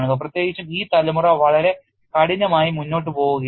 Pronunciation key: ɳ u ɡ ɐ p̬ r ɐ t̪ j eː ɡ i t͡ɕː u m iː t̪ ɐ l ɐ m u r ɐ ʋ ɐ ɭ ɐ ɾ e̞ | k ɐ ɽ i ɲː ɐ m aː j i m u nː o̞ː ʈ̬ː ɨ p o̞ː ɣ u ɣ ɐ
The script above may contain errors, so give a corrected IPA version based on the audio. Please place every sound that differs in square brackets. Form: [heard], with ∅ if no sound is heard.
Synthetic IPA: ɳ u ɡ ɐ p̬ r ɐ t̪ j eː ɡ i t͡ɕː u m iː t̪ ɐ l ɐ m u r ɐ ʋ ɐ ɭ ɐ ɾ e̞ | k ɐ ɽ i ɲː ɐ m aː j i m u nː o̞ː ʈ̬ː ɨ p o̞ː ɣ u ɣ ɐ